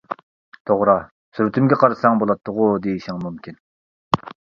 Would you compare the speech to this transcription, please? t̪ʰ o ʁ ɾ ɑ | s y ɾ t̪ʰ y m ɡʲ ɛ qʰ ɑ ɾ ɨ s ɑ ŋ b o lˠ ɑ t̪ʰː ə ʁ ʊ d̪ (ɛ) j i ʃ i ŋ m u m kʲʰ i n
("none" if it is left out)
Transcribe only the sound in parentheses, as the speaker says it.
e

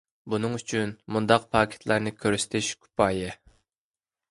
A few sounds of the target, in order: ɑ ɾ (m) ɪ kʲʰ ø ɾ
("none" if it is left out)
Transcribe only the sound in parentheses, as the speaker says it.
n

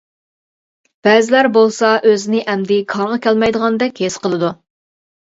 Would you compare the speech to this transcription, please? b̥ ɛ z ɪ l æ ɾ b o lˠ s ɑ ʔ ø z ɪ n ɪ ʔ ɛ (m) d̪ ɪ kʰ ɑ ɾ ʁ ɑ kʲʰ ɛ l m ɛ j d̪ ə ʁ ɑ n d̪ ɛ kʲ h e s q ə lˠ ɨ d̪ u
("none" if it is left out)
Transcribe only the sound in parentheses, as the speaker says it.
m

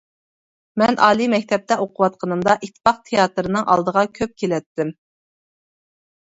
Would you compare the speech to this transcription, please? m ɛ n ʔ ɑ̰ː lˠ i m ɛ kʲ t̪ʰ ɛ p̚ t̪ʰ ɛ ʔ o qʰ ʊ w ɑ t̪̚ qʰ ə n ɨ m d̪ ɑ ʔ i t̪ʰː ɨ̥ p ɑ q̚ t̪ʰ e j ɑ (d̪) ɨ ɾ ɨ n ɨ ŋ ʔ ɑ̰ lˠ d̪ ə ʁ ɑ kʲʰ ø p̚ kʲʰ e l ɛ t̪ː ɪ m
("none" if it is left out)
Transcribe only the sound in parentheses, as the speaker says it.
t̪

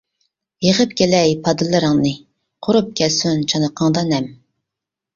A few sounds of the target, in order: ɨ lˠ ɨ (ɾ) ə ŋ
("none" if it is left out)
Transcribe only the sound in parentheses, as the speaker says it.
ɾ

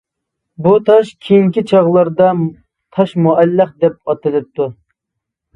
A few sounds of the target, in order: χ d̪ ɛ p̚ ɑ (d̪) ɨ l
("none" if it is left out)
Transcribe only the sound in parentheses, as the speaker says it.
t̪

